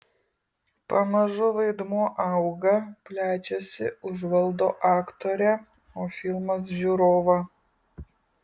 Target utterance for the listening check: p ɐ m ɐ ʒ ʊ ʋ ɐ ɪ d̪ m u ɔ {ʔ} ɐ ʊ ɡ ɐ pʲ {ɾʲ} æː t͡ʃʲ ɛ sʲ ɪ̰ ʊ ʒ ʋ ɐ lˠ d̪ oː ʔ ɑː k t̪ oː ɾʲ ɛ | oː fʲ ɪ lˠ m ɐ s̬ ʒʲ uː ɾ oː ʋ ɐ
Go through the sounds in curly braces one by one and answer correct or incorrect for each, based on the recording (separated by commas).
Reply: correct, incorrect